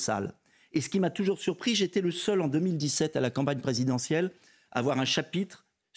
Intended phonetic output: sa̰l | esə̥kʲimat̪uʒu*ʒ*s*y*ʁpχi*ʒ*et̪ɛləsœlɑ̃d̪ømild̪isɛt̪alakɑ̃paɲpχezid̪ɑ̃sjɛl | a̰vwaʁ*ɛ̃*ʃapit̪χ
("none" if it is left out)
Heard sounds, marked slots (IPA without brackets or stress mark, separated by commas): ʁ, y, ʒ, ɛ̃